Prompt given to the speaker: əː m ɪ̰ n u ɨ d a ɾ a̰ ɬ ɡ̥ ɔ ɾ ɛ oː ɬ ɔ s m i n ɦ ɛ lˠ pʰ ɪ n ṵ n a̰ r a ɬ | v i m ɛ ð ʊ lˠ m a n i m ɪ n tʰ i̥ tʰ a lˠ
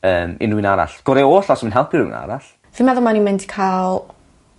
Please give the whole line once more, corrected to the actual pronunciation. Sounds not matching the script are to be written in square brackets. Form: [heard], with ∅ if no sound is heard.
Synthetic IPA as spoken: əː m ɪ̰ n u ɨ [n] a ɾ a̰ ɬ ɡ̥ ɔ ɾ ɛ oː ɬ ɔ s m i n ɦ ɛ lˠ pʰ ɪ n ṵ n a̰ [ɾ] a ɬ | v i m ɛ ð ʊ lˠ m a n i m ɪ n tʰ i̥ [kʰ] a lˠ